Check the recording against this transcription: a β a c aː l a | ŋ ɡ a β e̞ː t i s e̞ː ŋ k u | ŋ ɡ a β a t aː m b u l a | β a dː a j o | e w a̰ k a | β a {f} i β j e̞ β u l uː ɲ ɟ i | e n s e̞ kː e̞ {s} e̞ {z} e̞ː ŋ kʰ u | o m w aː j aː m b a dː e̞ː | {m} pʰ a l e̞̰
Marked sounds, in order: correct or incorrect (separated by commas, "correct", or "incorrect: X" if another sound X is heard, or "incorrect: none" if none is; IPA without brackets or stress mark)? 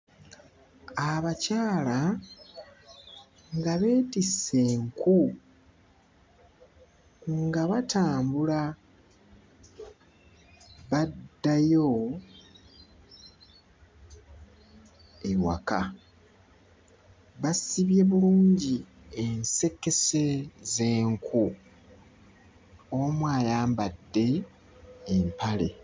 incorrect: s, correct, correct, correct